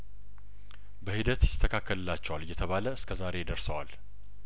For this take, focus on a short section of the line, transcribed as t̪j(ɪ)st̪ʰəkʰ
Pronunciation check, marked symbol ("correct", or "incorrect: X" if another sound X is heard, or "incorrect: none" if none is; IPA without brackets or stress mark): correct